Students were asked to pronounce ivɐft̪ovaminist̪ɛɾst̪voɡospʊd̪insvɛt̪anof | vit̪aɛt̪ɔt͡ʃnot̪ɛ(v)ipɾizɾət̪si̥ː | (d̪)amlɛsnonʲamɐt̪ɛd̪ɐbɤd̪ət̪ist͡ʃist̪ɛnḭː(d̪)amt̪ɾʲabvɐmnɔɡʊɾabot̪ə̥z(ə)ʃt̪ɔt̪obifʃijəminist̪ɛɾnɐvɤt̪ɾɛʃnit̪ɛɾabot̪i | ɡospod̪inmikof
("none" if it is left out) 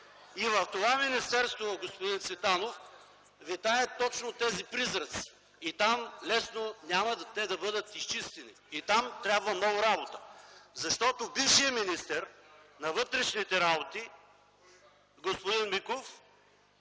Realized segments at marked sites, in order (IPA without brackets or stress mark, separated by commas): z, t̪, t̪, ɐ